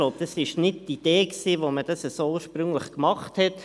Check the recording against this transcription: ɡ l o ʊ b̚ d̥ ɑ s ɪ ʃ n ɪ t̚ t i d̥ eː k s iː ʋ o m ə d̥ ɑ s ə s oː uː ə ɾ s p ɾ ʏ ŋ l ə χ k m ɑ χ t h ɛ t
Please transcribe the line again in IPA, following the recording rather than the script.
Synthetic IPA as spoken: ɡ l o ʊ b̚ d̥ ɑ s ɪ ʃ n ɪ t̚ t i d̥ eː k s iː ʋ o m ə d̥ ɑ s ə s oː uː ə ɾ ʃ p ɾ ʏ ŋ l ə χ k m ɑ χ t h ɛ t